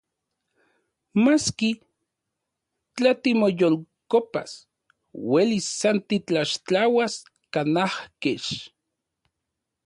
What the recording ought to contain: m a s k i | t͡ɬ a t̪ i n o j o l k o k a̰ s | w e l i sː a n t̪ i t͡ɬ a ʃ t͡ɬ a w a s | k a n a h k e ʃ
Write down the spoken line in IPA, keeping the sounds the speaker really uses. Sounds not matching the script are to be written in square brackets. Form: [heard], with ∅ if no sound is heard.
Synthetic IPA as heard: m a s k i | t͡ɬ a t̪ i [m] o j o l k o [p] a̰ s | w e l i sː a n t̪ i t͡ɬ a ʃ t͡ɬ a w a s | k a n a h k e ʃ